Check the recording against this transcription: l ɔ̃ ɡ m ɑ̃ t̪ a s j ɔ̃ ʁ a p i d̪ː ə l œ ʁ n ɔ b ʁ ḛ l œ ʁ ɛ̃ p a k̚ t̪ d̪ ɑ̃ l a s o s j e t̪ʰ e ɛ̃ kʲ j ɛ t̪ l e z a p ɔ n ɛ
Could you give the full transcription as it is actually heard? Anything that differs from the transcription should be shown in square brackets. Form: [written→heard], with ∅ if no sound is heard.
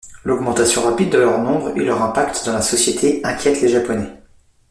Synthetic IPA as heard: l [ɔ̃→ɔ] ɡ m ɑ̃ t̪ a s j ɔ̃ ʁ a p i d̪ː ə l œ ʁ n [ɔ→ɔ̃] b ʁ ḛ l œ ʁ ɛ̃ p a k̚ t̪ d̪ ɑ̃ l a s [o→ɔ] s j e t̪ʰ e ɛ̃ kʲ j ɛ t̪ l e [z→ʒ] a p ɔ n ɛ